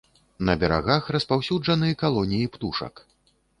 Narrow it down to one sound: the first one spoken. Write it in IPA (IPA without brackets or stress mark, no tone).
n